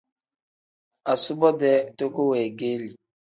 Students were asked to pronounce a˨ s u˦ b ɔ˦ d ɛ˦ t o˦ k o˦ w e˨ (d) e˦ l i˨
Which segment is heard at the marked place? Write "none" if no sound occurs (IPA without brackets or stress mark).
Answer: ɡ